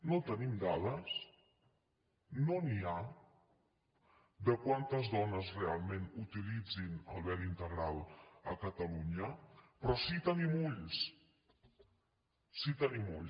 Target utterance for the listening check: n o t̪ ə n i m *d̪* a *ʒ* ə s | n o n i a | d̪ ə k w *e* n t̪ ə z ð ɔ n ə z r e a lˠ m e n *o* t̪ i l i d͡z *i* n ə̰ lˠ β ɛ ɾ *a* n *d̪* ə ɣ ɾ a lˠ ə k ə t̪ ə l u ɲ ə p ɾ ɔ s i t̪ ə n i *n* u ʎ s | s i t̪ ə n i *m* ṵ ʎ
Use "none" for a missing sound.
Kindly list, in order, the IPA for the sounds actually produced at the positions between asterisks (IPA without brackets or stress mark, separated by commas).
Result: d̪, ð, a, u, i, i, t̪, m, m